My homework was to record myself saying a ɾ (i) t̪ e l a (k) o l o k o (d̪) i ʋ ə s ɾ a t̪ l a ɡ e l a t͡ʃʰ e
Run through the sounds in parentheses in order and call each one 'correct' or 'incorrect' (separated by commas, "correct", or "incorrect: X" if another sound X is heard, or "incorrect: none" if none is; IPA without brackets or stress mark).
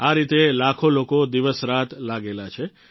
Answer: correct, incorrect: kʰ, correct